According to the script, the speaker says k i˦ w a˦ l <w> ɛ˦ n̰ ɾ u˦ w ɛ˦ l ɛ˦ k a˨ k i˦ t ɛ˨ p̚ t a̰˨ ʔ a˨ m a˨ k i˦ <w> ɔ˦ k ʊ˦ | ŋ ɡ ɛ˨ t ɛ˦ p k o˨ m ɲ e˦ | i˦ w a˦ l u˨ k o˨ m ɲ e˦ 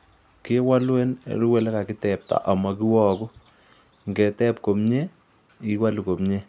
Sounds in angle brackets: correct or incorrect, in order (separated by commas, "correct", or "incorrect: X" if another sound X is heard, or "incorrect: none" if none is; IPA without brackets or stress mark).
correct, correct